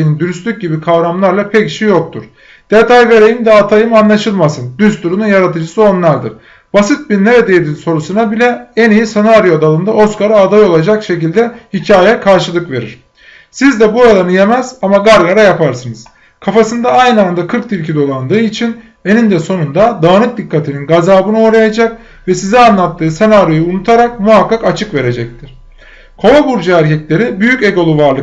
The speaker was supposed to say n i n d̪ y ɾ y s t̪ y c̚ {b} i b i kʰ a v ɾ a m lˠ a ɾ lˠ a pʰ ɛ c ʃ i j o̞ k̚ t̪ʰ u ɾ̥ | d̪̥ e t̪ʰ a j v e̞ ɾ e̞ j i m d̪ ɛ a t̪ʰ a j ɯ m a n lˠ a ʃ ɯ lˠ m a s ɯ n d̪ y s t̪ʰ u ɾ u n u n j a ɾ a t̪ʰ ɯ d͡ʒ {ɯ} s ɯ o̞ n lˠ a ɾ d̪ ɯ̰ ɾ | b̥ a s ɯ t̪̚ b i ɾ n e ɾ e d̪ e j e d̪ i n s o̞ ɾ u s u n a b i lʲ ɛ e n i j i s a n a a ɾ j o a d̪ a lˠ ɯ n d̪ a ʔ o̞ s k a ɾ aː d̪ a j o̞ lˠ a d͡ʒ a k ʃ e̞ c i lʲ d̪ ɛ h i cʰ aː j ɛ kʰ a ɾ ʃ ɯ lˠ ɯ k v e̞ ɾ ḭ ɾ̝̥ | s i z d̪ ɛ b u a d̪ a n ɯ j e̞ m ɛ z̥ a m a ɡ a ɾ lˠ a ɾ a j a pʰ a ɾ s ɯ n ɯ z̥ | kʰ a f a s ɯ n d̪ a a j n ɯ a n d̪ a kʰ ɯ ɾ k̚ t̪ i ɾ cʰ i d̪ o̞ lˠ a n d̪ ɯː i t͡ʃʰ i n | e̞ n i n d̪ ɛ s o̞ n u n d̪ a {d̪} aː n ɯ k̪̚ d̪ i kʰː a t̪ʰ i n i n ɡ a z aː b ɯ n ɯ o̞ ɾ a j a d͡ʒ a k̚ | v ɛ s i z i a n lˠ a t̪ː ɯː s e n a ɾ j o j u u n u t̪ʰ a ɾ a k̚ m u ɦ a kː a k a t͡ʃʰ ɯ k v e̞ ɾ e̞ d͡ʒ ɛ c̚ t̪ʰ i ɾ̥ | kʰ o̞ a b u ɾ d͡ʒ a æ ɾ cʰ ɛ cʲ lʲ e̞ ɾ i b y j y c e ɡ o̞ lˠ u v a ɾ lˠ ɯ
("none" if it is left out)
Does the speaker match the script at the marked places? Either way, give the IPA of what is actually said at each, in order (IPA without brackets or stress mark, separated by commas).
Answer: ɟ, ɯ, d̪